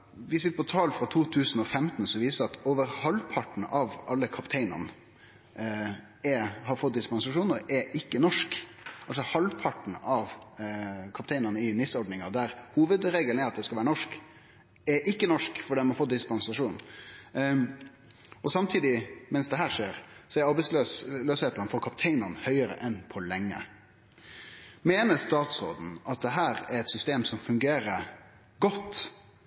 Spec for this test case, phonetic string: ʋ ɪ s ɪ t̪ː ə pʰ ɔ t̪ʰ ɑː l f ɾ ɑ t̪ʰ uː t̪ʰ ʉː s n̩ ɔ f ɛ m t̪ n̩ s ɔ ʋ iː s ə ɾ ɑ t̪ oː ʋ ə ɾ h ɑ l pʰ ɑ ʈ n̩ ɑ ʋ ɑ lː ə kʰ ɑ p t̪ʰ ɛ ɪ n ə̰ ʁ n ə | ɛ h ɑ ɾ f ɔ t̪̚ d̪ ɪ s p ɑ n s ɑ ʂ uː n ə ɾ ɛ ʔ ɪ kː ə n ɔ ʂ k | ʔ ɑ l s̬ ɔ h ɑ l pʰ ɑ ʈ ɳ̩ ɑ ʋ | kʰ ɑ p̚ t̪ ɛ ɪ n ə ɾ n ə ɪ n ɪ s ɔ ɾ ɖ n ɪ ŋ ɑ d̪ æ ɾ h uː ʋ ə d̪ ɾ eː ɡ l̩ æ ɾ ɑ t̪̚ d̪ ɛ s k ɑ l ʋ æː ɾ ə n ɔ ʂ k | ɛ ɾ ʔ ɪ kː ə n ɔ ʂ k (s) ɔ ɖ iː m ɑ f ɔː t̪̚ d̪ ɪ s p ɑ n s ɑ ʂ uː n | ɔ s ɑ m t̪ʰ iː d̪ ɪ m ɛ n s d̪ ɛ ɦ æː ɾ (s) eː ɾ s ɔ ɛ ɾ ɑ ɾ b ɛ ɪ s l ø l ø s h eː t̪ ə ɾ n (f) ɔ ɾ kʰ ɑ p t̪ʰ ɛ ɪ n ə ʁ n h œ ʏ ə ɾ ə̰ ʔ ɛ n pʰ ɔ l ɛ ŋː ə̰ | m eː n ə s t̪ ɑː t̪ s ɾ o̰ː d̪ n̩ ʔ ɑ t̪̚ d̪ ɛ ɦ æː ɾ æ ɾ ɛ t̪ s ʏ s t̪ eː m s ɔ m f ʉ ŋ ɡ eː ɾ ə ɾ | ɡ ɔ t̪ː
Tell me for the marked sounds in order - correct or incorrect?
incorrect: f, incorrect: ʂ, correct

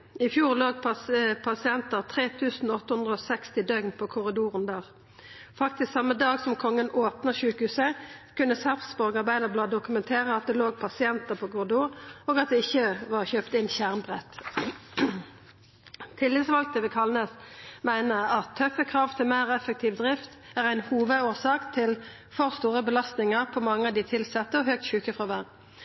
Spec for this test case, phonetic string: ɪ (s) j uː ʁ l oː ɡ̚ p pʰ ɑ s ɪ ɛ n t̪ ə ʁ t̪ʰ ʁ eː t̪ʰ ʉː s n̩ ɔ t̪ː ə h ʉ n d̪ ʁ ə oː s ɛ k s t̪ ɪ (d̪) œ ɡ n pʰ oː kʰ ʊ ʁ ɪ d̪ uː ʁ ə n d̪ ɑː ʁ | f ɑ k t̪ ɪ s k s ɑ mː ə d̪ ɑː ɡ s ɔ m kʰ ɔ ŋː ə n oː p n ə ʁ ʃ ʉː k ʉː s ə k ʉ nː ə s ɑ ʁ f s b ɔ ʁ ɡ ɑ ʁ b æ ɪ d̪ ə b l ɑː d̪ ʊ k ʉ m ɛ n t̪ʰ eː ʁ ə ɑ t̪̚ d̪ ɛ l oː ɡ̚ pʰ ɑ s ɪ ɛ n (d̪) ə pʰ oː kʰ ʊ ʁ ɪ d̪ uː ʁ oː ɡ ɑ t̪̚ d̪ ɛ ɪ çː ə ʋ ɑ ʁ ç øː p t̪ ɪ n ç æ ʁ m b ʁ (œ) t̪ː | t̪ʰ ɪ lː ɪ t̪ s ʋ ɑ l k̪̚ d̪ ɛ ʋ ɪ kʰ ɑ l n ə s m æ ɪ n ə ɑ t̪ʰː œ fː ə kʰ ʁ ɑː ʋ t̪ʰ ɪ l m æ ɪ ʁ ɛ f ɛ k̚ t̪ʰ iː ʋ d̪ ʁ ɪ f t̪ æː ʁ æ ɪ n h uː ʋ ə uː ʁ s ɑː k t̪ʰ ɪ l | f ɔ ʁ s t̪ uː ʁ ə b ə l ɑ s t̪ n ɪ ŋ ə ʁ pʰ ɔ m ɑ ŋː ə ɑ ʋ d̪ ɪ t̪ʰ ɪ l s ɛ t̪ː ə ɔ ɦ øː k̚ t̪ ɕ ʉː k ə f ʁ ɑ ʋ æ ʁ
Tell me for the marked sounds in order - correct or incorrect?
incorrect: f, correct, incorrect: t̪, incorrect: ɛ

